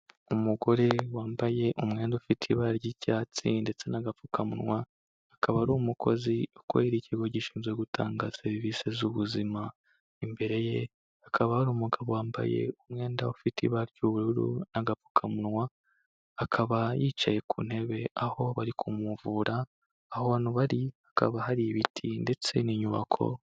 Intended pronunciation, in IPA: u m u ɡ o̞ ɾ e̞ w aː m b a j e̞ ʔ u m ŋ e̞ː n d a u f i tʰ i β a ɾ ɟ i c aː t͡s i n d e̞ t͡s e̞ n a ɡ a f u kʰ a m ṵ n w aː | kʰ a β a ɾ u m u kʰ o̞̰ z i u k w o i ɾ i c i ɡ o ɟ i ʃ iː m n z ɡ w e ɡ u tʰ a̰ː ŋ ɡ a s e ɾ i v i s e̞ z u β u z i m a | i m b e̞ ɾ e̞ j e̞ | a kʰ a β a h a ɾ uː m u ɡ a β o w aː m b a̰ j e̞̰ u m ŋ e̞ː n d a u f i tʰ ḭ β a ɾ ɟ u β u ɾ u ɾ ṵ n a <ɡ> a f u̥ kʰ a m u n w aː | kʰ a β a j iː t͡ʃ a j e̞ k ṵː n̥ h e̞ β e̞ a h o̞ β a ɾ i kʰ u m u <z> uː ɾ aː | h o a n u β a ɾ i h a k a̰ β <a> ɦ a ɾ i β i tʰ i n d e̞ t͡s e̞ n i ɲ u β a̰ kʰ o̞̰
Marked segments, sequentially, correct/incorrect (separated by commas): correct, incorrect, correct